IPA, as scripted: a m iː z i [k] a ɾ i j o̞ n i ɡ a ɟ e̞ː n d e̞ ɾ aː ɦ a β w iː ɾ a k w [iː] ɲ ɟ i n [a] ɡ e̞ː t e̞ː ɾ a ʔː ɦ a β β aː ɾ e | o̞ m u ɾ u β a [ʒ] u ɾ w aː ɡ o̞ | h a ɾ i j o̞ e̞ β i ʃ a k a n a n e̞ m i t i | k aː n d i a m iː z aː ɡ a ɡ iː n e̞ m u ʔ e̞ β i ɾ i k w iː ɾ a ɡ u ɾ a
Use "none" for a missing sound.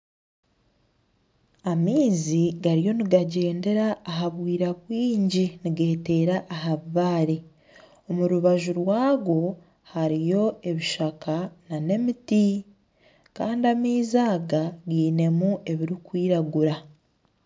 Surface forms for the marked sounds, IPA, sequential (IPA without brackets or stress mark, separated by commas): ɡ, iː, i, ʒ